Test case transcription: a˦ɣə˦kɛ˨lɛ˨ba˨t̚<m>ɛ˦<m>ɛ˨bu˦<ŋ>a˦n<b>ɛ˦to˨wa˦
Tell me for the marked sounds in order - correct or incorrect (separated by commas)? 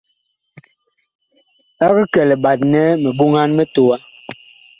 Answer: incorrect, correct, correct, incorrect